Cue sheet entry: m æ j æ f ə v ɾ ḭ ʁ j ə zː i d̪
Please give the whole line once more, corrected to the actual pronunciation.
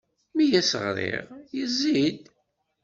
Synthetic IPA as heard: m i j æ s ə ʁ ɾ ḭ ʁ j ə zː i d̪